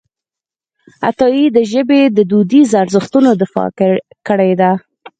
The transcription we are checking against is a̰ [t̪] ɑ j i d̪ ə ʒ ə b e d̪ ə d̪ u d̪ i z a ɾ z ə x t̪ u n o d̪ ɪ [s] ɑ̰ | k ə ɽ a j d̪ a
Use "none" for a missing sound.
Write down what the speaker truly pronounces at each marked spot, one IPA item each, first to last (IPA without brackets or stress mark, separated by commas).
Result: t̪, f